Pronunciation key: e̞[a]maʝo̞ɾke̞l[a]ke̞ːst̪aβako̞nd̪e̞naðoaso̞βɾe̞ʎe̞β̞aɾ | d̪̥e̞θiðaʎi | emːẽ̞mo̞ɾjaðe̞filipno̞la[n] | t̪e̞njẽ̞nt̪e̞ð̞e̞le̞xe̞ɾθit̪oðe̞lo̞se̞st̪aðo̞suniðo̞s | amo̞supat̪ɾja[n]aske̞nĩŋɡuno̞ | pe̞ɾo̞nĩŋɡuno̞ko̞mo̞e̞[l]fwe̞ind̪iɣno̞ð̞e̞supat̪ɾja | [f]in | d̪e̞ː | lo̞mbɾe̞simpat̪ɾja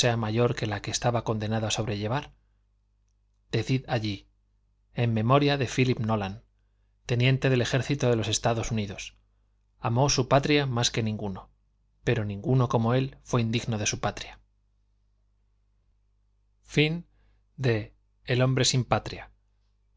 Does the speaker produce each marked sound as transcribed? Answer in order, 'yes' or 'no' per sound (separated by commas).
yes, yes, yes, no, yes, yes